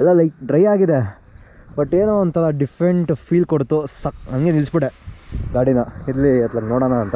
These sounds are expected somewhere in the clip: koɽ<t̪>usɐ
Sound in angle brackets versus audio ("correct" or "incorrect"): correct